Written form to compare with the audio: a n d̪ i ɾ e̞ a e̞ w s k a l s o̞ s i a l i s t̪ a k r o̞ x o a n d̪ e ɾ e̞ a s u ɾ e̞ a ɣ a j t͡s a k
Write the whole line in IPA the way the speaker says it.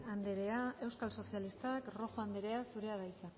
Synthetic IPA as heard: a n d̪ e ɾ e̞ a e̞ w s k a l s o̞ s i a l i s t̪ a k r o̞ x o a n d̪ e ɾ e̞ a s u ɾ e̞ a ð a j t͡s a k